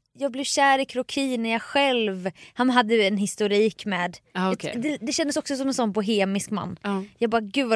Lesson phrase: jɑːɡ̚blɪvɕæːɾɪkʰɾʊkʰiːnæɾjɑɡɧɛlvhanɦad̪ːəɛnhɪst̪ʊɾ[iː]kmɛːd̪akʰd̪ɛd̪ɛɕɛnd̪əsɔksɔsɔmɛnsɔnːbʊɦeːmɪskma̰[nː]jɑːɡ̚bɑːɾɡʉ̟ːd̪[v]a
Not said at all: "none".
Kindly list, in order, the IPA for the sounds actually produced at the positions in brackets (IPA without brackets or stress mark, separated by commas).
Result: iː, nː, v